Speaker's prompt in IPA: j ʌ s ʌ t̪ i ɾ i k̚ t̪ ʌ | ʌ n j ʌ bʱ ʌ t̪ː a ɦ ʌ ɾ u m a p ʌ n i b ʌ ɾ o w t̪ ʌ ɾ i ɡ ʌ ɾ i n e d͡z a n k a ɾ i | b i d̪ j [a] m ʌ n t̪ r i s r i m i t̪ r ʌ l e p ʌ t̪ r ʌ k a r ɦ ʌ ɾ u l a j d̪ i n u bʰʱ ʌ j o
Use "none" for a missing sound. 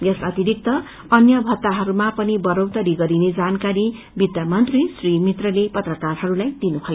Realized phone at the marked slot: a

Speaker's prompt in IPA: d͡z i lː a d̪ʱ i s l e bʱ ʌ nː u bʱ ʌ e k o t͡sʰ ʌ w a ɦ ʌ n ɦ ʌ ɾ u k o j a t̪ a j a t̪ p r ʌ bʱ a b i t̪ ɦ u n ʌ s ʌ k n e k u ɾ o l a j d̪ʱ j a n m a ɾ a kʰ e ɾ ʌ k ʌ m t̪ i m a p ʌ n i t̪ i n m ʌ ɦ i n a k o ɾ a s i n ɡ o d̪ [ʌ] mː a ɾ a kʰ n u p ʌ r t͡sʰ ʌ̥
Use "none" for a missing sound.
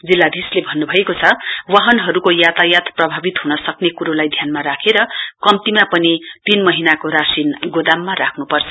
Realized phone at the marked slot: a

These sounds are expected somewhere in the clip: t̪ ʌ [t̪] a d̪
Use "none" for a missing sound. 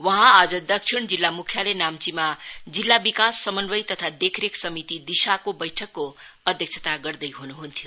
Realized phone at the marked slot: t̪ʰ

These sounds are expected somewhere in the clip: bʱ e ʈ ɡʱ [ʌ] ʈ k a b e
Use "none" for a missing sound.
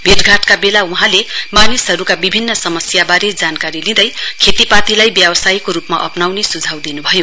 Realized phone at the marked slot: a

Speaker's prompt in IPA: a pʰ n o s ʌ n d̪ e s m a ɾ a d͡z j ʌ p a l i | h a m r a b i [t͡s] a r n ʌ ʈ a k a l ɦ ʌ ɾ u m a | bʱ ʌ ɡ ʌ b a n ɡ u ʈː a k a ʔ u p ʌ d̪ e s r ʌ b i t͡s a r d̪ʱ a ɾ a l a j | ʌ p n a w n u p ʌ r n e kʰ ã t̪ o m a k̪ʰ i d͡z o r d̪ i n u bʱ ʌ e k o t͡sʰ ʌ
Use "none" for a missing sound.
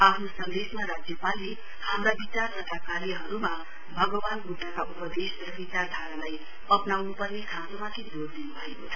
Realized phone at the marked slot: t͡s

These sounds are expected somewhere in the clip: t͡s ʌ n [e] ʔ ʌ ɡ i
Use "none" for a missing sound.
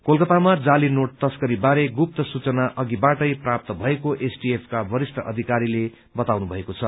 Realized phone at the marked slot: a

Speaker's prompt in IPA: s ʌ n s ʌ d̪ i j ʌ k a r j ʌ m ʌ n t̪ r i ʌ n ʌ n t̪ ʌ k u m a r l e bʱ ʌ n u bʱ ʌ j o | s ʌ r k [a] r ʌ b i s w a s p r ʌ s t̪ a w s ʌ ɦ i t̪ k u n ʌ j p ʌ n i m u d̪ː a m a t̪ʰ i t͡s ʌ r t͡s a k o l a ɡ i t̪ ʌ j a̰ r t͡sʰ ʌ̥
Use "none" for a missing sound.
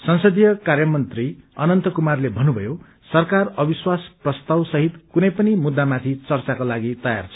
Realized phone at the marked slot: a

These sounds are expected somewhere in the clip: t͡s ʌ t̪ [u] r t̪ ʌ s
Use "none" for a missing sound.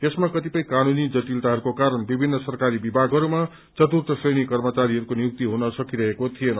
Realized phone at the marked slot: u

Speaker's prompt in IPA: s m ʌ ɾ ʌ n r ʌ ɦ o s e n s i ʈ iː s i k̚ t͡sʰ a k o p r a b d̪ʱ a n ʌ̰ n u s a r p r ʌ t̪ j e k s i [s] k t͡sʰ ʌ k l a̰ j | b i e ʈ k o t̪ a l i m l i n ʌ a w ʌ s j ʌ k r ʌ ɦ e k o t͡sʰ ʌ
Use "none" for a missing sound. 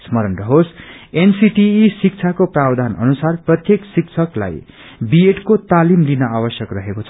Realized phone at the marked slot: none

